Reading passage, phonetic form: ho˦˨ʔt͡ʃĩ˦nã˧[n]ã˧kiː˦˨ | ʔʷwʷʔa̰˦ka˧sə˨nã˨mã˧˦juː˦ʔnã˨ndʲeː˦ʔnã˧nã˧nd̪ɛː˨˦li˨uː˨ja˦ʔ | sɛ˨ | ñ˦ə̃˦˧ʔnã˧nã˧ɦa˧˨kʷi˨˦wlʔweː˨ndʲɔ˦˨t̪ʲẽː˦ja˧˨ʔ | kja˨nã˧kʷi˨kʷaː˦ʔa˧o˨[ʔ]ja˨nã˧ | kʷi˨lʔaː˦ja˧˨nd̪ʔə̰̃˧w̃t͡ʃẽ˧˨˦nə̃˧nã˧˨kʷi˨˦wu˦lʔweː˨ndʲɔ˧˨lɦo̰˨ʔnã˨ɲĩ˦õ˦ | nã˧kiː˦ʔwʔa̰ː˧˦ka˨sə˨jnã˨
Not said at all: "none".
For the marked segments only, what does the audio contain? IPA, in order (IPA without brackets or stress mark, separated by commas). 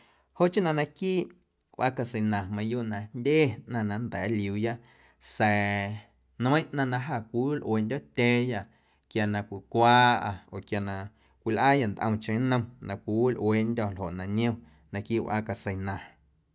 n, k